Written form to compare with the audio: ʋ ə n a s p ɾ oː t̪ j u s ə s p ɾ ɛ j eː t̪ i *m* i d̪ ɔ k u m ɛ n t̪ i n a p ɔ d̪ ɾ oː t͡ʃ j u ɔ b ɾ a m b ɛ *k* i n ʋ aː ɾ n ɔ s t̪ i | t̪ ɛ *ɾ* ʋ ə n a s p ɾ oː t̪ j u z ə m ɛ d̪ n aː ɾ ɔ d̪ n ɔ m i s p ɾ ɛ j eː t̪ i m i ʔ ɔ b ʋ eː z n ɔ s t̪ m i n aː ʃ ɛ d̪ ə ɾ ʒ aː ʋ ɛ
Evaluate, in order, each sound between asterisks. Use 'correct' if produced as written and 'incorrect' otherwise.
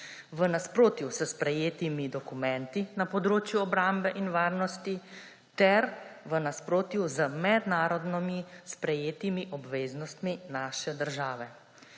correct, incorrect, correct

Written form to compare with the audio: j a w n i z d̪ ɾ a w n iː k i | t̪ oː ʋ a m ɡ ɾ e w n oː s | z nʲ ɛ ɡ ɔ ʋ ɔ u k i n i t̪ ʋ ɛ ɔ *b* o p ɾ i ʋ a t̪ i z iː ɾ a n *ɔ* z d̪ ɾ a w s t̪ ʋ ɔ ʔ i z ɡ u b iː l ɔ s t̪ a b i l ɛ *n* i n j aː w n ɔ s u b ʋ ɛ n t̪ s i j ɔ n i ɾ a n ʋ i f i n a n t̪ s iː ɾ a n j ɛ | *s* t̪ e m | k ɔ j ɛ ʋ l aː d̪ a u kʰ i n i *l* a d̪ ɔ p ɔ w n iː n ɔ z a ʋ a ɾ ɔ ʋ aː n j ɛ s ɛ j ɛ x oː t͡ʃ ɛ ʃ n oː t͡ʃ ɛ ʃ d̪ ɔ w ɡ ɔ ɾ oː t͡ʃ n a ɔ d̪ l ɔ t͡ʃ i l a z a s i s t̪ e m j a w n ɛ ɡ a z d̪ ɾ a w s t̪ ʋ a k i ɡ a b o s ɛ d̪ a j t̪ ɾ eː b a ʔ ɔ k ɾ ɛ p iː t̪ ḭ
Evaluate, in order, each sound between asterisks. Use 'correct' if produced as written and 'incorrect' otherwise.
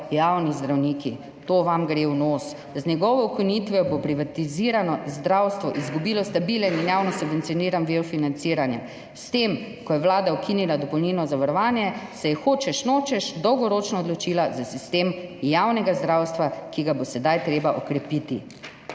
correct, correct, correct, correct, correct

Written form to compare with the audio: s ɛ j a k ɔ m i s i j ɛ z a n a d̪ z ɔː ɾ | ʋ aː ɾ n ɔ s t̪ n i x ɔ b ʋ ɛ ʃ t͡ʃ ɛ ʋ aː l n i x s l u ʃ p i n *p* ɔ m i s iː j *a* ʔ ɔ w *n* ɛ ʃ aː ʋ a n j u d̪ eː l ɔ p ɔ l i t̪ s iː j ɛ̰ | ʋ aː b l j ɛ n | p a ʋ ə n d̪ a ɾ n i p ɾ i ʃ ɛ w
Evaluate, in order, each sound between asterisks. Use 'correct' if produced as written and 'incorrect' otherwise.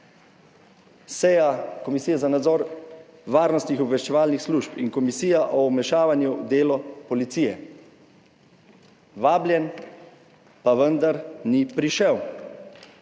incorrect, correct, incorrect

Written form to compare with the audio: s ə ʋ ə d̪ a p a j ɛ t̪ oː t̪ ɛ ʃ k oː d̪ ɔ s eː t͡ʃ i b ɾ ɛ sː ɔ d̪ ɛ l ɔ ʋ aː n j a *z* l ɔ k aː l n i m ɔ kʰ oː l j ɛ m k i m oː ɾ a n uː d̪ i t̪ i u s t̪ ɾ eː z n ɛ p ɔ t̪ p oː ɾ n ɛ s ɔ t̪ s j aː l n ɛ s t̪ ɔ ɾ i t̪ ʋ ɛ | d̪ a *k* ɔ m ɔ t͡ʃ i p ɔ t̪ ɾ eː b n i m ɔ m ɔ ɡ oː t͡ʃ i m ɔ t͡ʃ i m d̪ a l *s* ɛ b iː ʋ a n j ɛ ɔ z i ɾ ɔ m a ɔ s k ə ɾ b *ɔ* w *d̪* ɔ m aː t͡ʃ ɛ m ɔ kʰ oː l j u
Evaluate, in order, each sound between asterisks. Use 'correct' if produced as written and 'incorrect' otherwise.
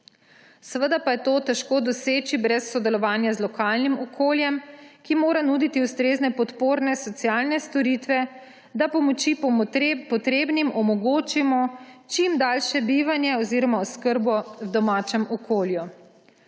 correct, incorrect, incorrect, correct, correct

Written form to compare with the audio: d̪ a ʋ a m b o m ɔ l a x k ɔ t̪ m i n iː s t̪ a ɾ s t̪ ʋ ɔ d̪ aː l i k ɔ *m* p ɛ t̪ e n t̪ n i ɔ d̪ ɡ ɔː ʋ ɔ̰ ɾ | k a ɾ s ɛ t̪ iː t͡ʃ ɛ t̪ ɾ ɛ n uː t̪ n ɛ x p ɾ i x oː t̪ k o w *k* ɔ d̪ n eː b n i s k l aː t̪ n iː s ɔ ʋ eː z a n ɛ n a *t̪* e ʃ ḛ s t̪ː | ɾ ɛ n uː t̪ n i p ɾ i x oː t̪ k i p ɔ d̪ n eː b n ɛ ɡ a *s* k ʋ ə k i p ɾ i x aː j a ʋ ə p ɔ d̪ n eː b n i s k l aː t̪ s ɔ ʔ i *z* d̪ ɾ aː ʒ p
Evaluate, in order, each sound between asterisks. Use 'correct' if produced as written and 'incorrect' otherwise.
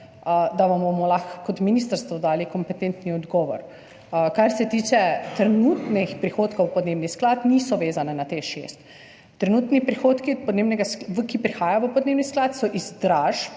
correct, incorrect, correct, correct, correct

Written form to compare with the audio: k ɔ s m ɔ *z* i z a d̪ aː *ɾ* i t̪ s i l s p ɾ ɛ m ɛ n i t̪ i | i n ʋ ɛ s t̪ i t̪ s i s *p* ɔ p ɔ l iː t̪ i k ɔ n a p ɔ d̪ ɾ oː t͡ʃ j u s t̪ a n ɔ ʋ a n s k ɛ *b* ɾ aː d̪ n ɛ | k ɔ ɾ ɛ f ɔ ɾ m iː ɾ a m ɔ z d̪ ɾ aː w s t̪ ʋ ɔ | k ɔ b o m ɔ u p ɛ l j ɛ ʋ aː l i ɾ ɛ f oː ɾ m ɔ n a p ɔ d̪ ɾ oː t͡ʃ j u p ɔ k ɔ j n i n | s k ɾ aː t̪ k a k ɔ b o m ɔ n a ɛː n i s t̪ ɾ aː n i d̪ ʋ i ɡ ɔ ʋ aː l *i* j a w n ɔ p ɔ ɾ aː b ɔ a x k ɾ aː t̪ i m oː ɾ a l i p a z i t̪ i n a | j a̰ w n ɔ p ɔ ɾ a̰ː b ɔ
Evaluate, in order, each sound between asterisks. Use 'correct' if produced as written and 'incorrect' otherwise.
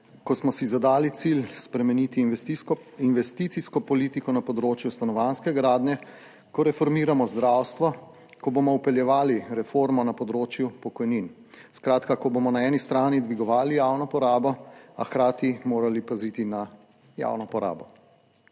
incorrect, incorrect, incorrect, incorrect, correct

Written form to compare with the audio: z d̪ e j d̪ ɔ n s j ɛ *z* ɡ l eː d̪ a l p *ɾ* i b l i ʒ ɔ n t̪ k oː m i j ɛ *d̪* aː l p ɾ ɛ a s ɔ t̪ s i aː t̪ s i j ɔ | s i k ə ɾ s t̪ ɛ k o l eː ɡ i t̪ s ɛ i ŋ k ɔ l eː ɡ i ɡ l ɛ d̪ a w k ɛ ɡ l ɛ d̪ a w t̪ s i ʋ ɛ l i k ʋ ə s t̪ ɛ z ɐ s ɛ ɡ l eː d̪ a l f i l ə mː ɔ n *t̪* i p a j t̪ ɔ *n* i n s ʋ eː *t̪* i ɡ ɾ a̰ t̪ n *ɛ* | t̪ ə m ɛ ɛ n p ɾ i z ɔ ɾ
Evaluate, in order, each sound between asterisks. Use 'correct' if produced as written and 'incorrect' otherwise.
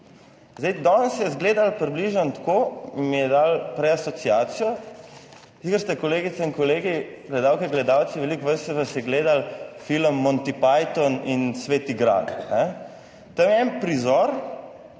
correct, correct, correct, correct, correct, correct, correct

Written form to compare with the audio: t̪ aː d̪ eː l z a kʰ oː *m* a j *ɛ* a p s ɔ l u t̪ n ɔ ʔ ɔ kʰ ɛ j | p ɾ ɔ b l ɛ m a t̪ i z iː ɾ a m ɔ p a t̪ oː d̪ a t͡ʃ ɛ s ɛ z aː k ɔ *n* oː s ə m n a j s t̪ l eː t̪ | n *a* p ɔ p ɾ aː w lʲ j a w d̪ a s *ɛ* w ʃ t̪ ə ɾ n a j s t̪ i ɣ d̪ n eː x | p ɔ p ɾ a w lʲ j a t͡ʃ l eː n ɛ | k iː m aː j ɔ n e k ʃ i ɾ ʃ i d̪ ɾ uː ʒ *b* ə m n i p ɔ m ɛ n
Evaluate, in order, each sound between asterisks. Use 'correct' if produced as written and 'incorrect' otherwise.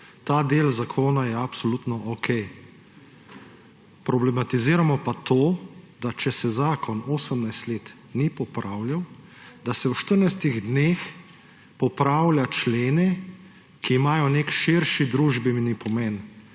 incorrect, correct, correct, incorrect, correct, correct

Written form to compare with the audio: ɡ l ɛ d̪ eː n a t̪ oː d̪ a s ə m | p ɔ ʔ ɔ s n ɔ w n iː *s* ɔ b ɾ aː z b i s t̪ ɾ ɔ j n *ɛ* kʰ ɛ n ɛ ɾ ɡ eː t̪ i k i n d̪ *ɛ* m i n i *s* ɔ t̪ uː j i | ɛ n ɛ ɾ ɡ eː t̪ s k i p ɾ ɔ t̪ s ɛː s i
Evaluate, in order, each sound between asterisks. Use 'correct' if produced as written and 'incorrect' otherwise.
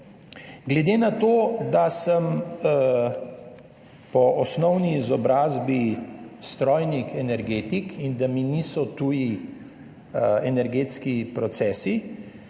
incorrect, incorrect, incorrect, correct

